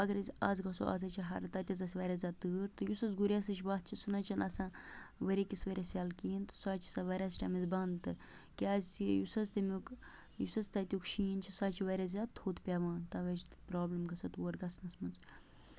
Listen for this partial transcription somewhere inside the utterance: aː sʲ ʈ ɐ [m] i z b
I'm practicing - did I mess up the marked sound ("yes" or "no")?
no